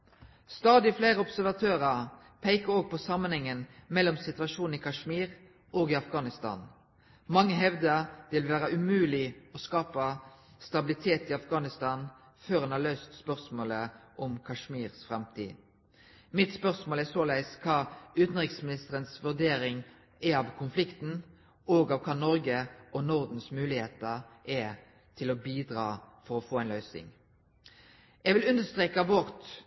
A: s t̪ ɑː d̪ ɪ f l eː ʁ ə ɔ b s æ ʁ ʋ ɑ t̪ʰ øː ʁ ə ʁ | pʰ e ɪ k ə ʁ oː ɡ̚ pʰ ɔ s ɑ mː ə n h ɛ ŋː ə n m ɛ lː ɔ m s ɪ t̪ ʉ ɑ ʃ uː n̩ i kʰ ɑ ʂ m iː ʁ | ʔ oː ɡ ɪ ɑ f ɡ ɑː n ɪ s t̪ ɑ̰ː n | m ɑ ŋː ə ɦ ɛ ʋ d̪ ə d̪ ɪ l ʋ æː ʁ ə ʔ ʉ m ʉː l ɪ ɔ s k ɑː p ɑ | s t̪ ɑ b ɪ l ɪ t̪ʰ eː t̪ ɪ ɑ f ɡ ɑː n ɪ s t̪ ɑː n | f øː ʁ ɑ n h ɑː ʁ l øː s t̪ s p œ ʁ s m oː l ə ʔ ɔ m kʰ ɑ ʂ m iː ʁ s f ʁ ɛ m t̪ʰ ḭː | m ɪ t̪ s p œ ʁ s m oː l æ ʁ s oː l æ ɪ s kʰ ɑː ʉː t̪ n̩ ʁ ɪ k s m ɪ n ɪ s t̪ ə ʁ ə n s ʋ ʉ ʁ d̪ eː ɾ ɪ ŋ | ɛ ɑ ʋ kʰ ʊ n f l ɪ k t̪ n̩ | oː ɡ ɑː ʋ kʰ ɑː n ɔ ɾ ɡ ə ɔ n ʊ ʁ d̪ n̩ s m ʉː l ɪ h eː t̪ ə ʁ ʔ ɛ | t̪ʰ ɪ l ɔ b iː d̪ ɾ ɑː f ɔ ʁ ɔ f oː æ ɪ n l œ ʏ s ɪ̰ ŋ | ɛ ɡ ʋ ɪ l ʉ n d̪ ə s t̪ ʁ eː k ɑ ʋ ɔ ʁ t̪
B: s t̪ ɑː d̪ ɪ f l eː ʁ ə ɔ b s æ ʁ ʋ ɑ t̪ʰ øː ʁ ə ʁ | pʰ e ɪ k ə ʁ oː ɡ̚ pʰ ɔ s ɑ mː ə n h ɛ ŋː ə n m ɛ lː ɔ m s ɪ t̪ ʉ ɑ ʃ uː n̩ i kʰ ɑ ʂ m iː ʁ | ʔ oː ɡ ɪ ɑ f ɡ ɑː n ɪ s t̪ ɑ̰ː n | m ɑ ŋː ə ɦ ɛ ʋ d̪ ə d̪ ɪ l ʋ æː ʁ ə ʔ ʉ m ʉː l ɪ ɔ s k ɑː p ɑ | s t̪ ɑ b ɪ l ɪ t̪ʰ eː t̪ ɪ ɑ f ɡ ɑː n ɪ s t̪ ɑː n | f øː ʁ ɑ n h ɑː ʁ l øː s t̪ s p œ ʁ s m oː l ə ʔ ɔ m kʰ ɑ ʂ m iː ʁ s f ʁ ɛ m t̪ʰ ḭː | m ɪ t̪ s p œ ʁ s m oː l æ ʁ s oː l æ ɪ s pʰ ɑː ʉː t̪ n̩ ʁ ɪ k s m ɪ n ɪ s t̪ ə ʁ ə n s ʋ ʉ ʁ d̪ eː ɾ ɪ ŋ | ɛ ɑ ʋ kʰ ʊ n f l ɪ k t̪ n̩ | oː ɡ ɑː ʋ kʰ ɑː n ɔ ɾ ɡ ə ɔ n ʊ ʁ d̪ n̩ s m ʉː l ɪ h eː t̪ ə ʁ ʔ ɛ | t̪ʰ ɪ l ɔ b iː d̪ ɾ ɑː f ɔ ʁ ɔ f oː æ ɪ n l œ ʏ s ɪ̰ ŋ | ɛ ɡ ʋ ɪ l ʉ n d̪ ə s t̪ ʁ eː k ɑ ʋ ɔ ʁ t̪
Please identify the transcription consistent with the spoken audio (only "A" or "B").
A